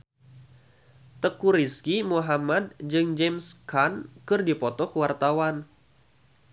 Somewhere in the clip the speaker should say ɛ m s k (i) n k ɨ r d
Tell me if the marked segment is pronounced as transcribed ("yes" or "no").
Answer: no